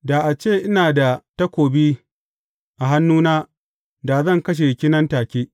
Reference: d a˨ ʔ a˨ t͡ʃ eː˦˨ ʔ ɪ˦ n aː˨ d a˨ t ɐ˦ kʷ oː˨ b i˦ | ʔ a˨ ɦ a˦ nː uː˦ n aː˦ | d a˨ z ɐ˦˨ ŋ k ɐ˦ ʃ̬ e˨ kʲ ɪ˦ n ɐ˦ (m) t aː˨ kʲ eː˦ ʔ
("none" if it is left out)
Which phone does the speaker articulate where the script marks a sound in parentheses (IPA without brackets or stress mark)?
n